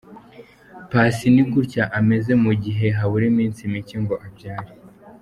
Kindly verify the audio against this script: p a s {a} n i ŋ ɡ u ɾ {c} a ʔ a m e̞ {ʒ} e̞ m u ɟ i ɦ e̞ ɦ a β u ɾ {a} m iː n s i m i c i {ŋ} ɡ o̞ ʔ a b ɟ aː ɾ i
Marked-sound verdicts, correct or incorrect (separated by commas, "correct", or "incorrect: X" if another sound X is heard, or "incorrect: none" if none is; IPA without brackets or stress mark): incorrect: i, correct, incorrect: z, incorrect: i, correct